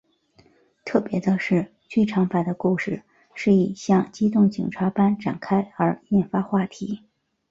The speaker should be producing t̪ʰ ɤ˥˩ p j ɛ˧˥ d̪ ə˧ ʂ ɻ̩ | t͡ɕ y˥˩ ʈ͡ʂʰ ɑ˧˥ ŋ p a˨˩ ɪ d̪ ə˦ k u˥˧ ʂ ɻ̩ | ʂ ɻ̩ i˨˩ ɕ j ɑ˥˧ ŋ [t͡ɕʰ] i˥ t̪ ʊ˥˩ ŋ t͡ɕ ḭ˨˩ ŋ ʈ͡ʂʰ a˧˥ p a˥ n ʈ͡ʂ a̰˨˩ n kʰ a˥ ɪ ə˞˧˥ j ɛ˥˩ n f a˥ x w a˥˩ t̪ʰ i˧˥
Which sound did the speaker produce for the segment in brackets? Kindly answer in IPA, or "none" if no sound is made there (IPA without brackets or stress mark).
t͡ɕ